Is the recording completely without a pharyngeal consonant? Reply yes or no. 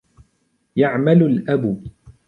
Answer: no